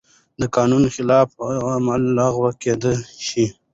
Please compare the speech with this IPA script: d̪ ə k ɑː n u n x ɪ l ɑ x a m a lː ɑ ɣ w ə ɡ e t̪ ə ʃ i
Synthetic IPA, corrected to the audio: d̪ ə k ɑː n u n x ɪ l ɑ f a m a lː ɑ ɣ w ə k e d̪ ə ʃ i